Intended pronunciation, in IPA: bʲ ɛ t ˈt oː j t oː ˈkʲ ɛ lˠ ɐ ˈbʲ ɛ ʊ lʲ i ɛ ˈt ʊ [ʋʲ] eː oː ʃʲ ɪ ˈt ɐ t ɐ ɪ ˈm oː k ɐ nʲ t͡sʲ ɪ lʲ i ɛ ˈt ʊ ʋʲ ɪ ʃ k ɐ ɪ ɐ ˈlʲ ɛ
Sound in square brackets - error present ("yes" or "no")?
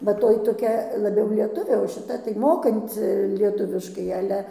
no